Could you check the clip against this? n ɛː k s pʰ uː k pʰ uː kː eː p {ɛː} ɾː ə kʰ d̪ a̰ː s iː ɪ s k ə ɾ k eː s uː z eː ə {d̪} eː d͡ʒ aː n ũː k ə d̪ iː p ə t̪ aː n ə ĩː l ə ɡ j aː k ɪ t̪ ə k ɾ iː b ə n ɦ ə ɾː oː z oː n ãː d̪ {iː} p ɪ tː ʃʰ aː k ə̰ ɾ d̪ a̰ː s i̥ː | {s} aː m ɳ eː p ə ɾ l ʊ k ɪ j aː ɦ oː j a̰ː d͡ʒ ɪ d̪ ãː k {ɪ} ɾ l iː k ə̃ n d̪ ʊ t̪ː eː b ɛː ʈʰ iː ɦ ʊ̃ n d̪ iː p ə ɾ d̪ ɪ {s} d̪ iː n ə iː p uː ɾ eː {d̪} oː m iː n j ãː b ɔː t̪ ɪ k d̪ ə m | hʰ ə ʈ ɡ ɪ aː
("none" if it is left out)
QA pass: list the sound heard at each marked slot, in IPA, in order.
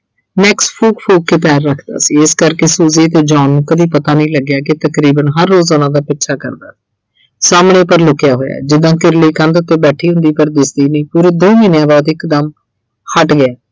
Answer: ɛː, t̪, aː, s, ɪ, s, d̪

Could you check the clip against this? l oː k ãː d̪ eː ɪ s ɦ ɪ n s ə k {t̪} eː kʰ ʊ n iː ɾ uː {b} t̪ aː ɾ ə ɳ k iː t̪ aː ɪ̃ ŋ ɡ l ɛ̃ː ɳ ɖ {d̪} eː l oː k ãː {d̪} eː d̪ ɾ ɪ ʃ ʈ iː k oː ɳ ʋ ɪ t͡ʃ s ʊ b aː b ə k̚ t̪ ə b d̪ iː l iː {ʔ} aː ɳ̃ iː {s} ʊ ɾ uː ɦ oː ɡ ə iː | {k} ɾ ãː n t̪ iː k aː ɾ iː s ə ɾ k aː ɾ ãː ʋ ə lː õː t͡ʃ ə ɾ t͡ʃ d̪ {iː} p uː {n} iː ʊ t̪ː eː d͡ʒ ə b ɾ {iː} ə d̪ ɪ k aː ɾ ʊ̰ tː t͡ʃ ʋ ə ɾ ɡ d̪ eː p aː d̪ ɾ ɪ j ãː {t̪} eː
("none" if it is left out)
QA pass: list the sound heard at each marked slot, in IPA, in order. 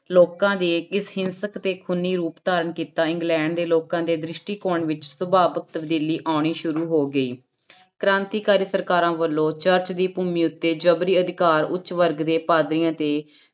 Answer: t̪, p, d̪, d̪, ʔ, ʃ, k, iː, m, iː, t̪

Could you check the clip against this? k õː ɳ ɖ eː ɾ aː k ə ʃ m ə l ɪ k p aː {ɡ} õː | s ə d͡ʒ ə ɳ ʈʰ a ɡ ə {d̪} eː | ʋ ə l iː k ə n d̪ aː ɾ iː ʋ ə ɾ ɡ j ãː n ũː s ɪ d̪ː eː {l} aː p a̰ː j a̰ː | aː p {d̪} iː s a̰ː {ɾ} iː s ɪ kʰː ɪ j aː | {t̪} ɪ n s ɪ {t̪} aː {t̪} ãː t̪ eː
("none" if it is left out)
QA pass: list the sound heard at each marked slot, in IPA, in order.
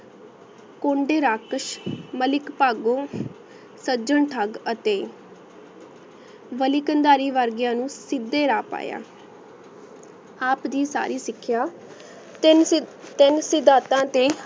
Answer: ɡ, t̪, ɾ, d̪, ɾ, t̪, d̪, t̪

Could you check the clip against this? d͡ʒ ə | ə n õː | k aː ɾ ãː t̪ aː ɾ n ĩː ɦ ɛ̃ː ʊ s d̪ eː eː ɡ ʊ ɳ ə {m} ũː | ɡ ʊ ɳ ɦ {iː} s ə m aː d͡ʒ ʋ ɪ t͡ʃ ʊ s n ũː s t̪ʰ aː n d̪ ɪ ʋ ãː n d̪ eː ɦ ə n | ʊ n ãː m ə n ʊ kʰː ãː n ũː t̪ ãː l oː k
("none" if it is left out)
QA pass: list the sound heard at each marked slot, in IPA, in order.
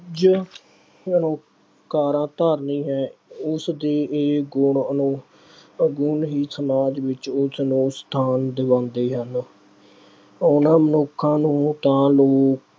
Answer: n, iː

